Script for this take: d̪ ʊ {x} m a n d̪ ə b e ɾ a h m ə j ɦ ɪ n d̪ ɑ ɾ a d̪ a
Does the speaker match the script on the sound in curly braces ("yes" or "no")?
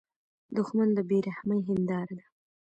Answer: yes